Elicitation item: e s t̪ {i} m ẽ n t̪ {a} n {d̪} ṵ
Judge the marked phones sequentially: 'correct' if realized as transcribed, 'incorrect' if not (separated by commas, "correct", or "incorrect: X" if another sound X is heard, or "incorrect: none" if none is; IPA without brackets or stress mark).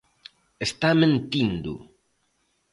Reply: incorrect: a, incorrect: i, correct